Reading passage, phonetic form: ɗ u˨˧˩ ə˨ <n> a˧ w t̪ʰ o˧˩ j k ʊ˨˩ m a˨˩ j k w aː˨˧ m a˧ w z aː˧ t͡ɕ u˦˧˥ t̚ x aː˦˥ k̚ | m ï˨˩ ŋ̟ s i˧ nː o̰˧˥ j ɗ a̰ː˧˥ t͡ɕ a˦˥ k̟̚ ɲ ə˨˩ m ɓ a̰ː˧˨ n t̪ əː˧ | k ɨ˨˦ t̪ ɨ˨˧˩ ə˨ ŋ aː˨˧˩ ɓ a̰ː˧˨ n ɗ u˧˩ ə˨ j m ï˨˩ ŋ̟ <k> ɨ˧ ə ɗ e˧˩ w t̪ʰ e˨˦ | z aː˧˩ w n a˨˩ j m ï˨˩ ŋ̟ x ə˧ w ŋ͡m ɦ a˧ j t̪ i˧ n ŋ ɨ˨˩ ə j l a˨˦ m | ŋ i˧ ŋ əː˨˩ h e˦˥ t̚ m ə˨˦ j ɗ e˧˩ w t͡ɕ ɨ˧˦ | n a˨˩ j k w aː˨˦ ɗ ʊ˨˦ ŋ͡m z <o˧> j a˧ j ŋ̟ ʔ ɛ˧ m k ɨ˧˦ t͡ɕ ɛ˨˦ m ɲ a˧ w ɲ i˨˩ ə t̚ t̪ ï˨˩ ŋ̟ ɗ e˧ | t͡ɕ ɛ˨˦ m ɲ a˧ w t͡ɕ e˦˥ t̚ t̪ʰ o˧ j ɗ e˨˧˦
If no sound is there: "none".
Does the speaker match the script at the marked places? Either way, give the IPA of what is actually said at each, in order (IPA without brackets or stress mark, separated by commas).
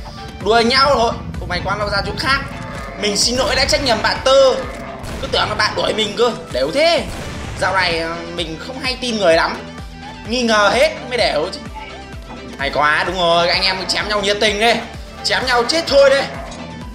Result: ɲ, k, o˨˩